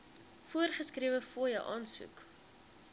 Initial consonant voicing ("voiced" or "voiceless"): voiceless